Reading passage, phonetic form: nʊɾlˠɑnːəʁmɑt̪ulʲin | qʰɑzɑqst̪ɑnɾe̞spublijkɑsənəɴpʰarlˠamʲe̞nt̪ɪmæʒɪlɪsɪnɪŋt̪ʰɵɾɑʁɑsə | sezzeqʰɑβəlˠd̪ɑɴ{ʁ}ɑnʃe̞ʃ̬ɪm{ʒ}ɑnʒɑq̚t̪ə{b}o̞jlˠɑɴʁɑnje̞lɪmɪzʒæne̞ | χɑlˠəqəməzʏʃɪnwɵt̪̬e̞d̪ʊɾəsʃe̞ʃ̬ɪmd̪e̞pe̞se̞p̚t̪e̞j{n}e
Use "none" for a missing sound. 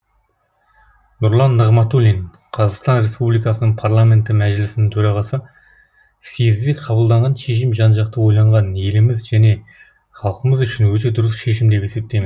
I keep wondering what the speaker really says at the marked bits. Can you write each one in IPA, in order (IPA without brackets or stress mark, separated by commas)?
ʁ, ʒ, w, m